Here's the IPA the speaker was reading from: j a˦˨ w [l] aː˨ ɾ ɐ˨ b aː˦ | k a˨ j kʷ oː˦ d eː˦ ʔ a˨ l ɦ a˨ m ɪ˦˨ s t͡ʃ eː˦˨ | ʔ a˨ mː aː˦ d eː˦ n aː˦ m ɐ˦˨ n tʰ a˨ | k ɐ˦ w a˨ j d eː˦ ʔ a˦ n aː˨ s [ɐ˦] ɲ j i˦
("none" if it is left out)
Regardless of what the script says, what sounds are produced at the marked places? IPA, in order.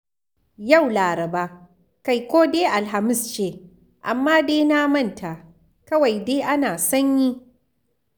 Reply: l, ɐ˦

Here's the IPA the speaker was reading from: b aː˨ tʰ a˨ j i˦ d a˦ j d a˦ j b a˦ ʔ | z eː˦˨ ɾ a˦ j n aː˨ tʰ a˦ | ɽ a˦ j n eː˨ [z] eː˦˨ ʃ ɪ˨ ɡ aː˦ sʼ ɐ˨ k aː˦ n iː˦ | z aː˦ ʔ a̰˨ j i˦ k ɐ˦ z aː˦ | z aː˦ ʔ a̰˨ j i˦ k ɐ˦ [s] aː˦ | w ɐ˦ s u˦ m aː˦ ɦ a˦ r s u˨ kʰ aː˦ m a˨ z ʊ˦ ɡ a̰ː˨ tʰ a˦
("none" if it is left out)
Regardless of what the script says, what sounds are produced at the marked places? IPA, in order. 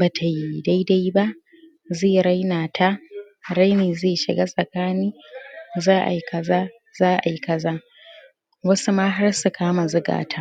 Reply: z, z

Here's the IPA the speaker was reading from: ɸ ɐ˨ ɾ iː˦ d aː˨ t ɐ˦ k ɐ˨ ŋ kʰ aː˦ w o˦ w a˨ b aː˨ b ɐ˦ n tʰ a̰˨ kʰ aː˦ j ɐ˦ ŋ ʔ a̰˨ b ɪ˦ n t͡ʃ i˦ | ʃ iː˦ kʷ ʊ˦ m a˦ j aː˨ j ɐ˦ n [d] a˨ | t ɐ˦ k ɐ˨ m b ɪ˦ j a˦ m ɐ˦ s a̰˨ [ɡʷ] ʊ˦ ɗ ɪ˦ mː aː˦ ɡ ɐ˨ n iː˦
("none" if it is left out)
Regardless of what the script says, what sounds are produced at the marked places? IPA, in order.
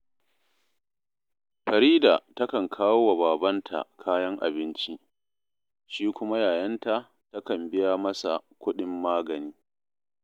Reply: t, kʷ

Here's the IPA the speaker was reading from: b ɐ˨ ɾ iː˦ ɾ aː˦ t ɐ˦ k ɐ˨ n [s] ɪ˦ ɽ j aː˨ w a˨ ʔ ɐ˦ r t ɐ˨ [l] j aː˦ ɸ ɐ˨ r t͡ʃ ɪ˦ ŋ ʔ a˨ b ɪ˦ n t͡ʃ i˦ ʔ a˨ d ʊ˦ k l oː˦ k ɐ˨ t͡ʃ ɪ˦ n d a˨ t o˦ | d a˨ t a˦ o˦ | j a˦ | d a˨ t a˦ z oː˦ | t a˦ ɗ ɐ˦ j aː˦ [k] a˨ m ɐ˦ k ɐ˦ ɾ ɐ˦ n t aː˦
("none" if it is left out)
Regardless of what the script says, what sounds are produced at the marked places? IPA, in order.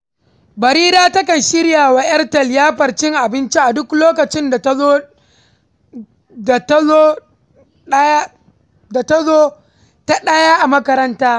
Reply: ʃ, l, ʔ

